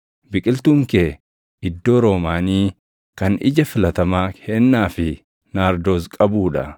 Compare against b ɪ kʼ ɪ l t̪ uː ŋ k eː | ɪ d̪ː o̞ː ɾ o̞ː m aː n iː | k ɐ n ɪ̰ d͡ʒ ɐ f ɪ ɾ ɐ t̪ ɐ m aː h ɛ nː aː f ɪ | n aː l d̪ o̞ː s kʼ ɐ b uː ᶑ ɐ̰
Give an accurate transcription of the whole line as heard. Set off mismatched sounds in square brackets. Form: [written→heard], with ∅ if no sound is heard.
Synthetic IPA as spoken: b ɪ kʼ ɪ l t̪ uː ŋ k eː | ɪ d̪ː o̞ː ɾ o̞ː m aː n iː | k ɐ n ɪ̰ d͡ʒ ɐ f ɪ [ɾ→l] ɐ t̪ ɐ m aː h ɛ nː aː f ɪ | n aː [l→ɾ] d̪ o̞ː s kʼ ɐ b uː ᶑ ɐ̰

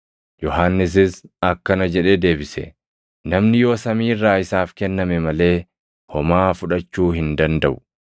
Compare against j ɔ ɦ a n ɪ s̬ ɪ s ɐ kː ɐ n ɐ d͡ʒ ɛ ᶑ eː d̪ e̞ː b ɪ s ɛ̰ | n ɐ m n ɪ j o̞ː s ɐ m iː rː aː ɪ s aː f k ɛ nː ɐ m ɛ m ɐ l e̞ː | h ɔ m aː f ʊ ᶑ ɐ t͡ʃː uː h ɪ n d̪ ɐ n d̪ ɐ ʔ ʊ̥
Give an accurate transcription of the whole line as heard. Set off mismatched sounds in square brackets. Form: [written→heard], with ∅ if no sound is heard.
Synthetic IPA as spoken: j ɔ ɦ a [n→nː] ɪ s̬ ɪ s ɐ kː ɐ n ɐ d͡ʒ ɛ ᶑ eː d̪ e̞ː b ɪ s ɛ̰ | n ɐ m n ɪ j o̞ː s ɐ m iː rː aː ɪ s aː f k ɛ nː ɐ m ɛ m ɐ l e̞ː | h ɔ m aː f ʊ ᶑ ɐ t͡ʃː uː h ɪ n d̪ ɐ n d̪ ɐ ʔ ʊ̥

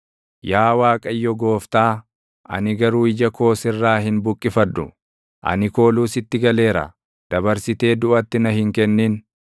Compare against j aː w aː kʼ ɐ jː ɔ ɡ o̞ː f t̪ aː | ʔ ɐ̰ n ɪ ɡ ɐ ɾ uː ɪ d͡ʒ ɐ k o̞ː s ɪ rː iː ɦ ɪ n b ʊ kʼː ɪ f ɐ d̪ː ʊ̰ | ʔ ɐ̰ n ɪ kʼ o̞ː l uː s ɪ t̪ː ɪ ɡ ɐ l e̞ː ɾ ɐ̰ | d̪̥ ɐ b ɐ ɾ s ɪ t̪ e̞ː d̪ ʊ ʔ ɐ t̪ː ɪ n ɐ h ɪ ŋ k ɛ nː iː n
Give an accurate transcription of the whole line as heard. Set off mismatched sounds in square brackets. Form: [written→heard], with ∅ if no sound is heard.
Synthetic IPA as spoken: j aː w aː kʼ ɐ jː ɔ ɡ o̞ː f t̪ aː | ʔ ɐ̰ n ɪ ɡ ɐ ɾ uː ɪ d͡ʒ ɐ k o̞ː s ɪ rː [iː→aː] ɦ ɪ n b ʊ kʼː ɪ f ɐ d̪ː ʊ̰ | ʔ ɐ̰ n ɪ [kʼ→k] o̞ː l uː s ɪ t̪ː ɪ ɡ ɐ l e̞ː ɾ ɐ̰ | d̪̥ ɐ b ɐ ɾ s ɪ t̪ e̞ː d̪ ʊ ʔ ɐ t̪ː ɪ n ɐ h ɪ ŋ k ɛ nː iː n

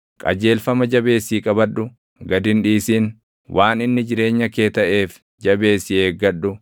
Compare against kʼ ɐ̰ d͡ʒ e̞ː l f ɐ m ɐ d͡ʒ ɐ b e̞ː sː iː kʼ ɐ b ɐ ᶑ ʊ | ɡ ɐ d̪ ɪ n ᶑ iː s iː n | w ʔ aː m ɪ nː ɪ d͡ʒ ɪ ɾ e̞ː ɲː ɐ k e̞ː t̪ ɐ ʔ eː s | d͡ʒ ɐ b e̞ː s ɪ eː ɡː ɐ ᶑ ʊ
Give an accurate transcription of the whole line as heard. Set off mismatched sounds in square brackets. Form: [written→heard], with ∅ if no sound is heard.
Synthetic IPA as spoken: kʼ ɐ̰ d͡ʒ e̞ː l f ɐ m ɐ d͡ʒ ɐ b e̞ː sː iː kʼ ɐ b ɐ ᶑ ʊ | ɡ ɐ d̪ ɪ n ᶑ iː s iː n | w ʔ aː [m→n] ɪ nː ɪ d͡ʒ ɪ ɾ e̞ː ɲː ɐ k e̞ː t̪ ɐ ʔ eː [s→f] | d͡ʒ ɐ b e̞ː s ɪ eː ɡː ɐ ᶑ ʊ

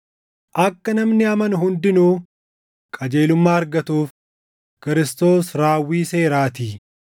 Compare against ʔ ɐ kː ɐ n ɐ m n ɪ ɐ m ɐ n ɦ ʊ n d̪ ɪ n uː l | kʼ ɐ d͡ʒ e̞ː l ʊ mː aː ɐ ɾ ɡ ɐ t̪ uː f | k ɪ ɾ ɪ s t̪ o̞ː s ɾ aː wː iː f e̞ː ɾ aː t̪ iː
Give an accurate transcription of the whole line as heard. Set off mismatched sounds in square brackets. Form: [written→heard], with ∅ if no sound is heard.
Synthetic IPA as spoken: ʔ ɐ kː ɐ n ɐ m n ɪ ɐ m ɐ n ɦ ʊ n d̪ ɪ n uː [l→∅] | kʼ ɐ d͡ʒ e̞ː l ʊ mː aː ɐ ɾ ɡ ɐ t̪ uː f | k ɪ ɾ ɪ s t̪ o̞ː s ɾ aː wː iː [f→s] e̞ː ɾ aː t̪ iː

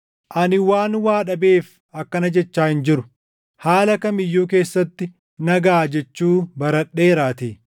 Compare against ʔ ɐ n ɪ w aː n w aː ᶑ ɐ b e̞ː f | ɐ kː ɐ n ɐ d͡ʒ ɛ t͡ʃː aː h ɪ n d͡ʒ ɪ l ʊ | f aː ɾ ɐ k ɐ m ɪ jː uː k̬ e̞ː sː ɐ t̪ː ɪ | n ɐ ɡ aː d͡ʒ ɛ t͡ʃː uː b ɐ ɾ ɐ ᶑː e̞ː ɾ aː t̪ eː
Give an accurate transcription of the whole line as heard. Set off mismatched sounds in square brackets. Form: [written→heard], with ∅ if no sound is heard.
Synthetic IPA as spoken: ʔ ɐ n ɪ w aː n w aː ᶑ ɐ b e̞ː f | ɐ kː ɐ n ɐ d͡ʒ ɛ t͡ʃː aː h ɪ n d͡ʒ ɪ [l→ɾ] ʊ | [f→h] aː [ɾ→l] ɐ k ɐ m ɪ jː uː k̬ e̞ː sː ɐ t̪ː ɪ | n ɐ ɡ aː d͡ʒ ɛ t͡ʃː uː b ɐ ɾ ɐ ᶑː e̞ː ɾ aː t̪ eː

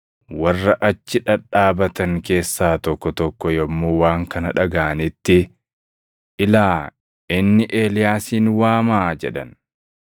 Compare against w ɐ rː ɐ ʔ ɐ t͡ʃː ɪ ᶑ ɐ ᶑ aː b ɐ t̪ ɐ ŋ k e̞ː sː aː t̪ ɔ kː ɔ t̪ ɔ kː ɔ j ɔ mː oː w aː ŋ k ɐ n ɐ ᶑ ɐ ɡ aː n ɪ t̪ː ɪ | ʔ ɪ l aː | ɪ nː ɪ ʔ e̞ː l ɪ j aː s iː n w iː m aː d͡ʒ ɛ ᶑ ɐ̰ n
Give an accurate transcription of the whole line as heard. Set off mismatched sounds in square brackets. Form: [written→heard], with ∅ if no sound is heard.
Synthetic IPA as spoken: w ɐ rː ɐ ʔ ɐ t͡ʃː ɪ ᶑ ɐ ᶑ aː b ɐ t̪ ɐ ŋ k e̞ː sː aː t̪ ɔ kː ɔ t̪ ɔ kː ɔ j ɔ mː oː w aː ŋ k ɐ n ɐ ᶑ ɐ ɡ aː n ɪ t̪ː ɪ | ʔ ɪ l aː | ɪ nː ɪ ʔ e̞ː l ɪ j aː s iː n w [iː→aː] m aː d͡ʒ ɛ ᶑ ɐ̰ n

